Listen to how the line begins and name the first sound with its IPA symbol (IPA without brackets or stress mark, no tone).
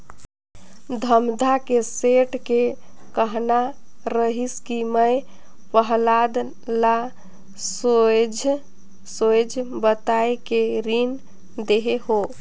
d̪ʱ